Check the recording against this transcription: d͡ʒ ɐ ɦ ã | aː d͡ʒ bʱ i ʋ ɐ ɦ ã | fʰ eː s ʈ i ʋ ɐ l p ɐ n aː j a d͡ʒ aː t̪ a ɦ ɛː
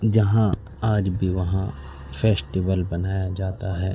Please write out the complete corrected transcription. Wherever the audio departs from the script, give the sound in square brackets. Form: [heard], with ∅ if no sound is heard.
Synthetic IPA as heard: d͡ʒ ɐ ɦ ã | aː d͡ʒ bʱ i ʋ ɐ ɦ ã | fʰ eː s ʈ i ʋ [ə] l [b] ɐ n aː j a d͡ʒ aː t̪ a ɦ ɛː

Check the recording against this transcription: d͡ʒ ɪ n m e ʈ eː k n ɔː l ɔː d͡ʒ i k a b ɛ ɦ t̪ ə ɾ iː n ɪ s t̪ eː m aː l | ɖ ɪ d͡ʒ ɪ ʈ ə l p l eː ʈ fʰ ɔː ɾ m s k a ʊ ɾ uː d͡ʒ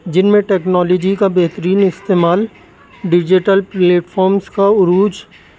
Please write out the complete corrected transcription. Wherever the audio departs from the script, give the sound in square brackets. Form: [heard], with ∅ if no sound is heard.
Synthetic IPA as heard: d͡ʒ ɪ n m [ẽ] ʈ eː k n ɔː l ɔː d͡ʒ i k a b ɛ ɦ t̪ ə ɾ iː n ɪ s t̪ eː m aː l | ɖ ɪ d͡ʒ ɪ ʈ ə l p l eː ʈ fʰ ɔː ɾ m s k a ʊ ɾ uː d͡ʒ

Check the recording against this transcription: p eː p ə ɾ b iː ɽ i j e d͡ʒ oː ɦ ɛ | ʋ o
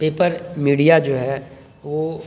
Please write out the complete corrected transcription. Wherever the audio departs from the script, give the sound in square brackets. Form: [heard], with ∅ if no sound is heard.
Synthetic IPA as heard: p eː p ə ɾ [m] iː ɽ i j [a] d͡ʒ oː ɦ ɛ | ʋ o

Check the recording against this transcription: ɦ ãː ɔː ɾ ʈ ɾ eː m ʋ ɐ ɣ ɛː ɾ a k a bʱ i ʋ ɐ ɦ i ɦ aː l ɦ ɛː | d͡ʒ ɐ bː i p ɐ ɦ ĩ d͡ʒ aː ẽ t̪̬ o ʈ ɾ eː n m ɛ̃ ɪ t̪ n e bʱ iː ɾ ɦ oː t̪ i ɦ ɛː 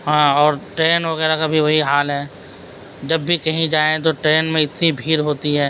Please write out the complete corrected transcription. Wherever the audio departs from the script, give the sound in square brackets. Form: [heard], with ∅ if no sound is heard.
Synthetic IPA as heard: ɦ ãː ɔː ɾ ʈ ɾ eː [n] ʋ ɐ ɣ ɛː ɾ a k a bʱ i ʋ ɐ ɦ i ɦ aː l ɦ ɛː | d͡ʒ ɐ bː i [k] ɐ ɦ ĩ d͡ʒ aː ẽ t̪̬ o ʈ ɾ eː n m [ẽ] ɪ t̪ n [i] bʱ iː ɾ ɦ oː t̪ i ɦ ɛː

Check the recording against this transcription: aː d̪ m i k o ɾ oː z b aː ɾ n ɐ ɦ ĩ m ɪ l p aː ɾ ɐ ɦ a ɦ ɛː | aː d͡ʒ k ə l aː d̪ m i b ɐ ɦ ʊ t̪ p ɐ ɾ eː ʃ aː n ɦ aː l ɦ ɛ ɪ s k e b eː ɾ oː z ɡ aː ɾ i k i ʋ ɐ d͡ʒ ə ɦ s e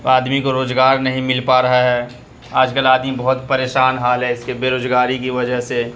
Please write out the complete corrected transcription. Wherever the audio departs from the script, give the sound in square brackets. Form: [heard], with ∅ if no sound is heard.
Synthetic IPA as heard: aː d̪ m i k o ɾ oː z [ɡ] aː ɾ n ɐ ɦ ĩ m ɪ l p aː ɾ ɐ ɦ a ɦ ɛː | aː d͡ʒ k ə l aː d̪ m i b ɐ ɦ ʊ t̪ p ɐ ɾ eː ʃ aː n ɦ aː l ɦ ɛ ɪ s k e b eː ɾ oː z ɡ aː ɾ i k i ʋ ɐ d͡ʒ ə ɦ s e

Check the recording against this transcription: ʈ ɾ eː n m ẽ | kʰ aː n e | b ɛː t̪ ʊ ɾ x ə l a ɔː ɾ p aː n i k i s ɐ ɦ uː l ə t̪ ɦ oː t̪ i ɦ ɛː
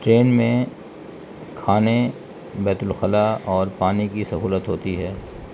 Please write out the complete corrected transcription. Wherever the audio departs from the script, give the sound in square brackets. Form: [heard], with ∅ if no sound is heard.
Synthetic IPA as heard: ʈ ɾ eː n m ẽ | kʰ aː n e | b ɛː t̪ ʊ [l] x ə l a ɔː ɾ p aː n i k i s ɐ ɦ uː l ə t̪ ɦ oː t̪ i ɦ ɛː

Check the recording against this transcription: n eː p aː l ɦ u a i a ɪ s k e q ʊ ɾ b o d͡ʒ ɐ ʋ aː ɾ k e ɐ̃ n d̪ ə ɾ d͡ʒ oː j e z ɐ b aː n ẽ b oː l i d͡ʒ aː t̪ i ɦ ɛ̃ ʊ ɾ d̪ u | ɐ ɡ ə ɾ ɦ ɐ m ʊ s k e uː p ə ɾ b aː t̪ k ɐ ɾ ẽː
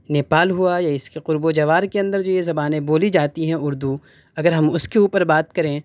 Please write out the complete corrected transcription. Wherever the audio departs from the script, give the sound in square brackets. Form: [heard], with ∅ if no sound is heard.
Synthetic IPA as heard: n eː p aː l ɦ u a [j] a ɪ s k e q ʊ ɾ b o d͡ʒ ɐ ʋ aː ɾ k e ɐ̃ n d̪ ə ɾ d͡ʒ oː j e z ɐ b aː n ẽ b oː l i d͡ʒ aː t̪ i ɦ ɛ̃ ʊ ɾ d̪ u | ɐ ɡ ə ɾ ɦ ɐ m ʊ s k e uː p ə ɾ b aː t̪ k ɐ ɾ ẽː

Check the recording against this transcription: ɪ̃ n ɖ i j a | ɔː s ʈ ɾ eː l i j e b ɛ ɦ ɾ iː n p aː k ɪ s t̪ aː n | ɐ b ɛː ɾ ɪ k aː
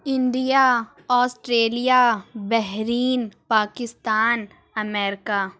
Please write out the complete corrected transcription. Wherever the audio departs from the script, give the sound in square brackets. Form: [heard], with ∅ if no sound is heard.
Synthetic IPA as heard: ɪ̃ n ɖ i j a | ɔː s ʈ ɾ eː l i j [a] b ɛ ɦ ɾ iː n p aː k ɪ s t̪ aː n | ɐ [m] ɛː ɾ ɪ k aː

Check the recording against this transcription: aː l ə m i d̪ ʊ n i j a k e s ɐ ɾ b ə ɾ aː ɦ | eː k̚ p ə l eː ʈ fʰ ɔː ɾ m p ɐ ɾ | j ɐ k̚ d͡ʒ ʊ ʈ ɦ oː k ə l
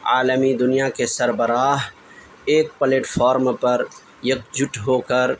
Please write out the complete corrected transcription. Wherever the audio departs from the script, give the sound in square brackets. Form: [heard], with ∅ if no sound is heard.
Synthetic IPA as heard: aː l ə m i d̪ ʊ n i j a k e s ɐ ɾ b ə ɾ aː ɦ | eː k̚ p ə l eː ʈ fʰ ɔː ɾ m p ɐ ɾ | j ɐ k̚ d͡ʒ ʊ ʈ ɦ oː k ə [ɾ]

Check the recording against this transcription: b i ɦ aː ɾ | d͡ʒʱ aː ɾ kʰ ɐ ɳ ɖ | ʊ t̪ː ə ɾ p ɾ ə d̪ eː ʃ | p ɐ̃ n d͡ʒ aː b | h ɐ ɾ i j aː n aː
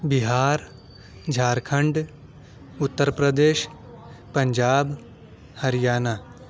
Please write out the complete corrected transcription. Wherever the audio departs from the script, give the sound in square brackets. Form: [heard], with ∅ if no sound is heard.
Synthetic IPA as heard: b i ɦ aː ɾ | d͡ʒʱ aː ɾ kʰ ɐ ɳ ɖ | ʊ t̪ː ə ɾ p ɾ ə d̪ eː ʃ | p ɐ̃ [ɲ] d͡ʒ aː b | h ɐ ɾ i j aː n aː

